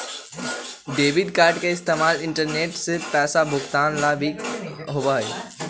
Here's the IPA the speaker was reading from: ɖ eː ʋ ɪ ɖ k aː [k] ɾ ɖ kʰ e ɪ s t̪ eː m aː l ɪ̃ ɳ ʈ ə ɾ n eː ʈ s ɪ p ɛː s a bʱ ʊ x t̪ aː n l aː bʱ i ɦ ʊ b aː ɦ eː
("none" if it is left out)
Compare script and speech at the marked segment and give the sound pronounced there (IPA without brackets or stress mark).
none